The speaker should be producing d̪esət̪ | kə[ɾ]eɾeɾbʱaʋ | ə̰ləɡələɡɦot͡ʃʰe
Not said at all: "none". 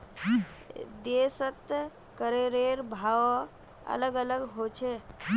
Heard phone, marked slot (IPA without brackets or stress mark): ɾ